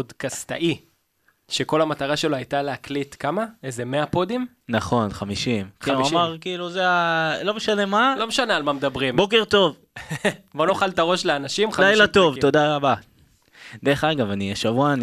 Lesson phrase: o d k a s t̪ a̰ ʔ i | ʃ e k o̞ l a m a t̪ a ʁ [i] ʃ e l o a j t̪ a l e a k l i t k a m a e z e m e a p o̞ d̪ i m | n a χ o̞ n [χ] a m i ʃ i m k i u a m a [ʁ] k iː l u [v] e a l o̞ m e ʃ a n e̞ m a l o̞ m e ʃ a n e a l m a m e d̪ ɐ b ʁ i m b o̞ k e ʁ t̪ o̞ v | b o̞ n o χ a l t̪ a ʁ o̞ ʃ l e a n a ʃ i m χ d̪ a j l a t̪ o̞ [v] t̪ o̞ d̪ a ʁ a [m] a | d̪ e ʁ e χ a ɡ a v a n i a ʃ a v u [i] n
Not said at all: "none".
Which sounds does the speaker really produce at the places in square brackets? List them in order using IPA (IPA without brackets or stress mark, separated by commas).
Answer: a, χ, ʁ, z, v, b, a